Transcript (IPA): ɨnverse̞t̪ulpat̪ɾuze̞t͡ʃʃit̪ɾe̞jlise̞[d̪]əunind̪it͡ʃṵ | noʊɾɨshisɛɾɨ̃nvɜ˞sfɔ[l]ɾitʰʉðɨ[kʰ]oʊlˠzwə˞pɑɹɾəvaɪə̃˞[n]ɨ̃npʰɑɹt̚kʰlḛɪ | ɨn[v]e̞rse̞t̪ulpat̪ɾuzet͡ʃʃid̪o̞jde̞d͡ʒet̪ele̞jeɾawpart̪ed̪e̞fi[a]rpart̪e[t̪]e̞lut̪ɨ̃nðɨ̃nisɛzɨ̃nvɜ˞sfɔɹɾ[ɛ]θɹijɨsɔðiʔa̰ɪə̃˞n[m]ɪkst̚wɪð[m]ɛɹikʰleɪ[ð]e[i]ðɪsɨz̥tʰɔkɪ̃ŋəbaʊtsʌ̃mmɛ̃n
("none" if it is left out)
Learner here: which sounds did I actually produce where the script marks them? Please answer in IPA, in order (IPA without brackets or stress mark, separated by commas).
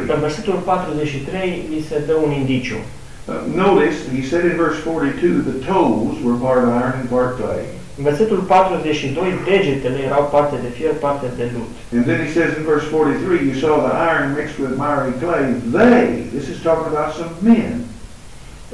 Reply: d̪, ɹ, tʰ, n, v, e, d̪, i, m, m, ð, ɪ